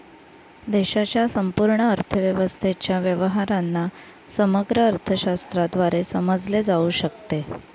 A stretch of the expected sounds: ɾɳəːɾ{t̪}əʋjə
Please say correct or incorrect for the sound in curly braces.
incorrect